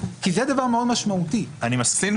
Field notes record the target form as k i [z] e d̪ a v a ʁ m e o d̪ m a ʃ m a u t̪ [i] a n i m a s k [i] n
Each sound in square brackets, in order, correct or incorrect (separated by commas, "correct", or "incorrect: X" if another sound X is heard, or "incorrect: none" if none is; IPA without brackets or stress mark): correct, correct, correct